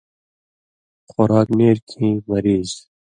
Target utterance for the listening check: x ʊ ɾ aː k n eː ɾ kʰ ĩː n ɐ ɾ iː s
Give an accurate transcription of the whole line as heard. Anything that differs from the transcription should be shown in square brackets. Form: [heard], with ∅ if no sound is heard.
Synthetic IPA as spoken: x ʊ ɾ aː k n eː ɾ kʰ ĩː [m] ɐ ɾ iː [z]